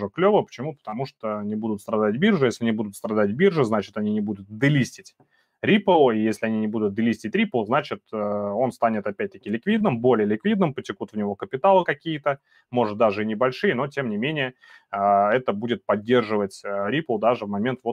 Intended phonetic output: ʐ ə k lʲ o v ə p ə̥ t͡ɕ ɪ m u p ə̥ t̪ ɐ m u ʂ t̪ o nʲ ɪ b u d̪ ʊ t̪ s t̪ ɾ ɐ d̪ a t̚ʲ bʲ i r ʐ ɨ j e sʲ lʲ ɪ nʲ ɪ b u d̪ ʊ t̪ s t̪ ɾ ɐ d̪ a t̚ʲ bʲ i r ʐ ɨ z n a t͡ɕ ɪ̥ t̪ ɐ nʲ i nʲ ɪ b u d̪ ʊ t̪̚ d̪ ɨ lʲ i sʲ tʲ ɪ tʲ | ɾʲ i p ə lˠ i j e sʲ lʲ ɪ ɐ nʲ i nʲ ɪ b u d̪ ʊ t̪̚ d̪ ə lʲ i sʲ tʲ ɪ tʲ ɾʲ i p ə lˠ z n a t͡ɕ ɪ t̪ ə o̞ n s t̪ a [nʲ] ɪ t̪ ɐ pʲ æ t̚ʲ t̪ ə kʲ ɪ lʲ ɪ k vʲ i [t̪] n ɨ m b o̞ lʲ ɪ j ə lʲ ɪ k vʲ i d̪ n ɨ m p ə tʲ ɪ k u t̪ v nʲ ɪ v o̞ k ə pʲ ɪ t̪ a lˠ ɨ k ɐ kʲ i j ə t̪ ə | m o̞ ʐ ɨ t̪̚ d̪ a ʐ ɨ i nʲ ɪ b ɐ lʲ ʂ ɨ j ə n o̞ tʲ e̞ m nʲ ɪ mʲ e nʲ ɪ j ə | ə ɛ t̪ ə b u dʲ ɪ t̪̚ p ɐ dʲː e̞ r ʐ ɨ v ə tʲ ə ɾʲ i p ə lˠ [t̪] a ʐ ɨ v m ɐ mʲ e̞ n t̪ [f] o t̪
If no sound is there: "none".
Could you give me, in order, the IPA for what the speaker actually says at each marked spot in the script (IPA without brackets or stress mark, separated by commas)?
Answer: nʲ, d̪, d̪, v